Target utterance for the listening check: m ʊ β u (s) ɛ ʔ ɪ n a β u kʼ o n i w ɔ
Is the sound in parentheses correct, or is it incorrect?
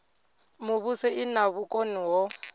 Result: correct